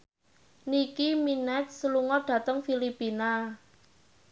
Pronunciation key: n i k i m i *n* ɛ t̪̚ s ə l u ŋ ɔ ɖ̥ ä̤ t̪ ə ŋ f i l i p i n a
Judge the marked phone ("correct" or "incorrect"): correct